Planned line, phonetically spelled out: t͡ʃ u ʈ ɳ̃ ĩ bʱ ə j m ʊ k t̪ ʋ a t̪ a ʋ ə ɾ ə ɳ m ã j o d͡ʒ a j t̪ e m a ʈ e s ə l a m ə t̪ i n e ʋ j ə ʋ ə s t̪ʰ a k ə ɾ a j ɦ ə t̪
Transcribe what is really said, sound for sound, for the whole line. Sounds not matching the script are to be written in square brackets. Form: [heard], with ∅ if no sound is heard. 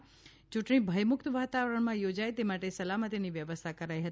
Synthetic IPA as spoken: t͡ʃ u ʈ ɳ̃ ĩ bʱ ə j m ʊ k t̪ ʋ a t̪ a ʋ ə ɾ ə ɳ m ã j o d͡ʒ a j t̪ e m a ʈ e s ə l a m ə t̪ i n [i] ʋ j ə ʋ ə s t̪ʰ a k ə ɾ a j ɦ ə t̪